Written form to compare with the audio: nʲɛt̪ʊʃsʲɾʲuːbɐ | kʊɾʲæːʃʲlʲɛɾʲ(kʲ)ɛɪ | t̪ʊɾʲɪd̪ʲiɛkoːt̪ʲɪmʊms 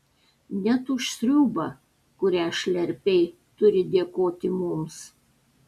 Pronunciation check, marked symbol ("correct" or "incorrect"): incorrect